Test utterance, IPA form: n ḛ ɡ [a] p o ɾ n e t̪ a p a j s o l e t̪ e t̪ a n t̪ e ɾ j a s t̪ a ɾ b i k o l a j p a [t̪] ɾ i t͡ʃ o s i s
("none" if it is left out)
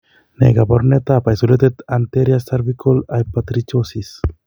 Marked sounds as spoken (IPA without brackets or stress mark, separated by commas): a, t̪